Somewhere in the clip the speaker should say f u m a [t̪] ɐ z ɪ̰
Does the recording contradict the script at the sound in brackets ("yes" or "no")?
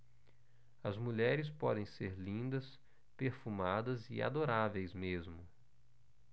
yes